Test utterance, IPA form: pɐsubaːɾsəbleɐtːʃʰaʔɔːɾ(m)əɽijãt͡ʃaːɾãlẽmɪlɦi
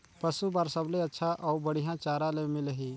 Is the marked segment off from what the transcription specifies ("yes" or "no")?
yes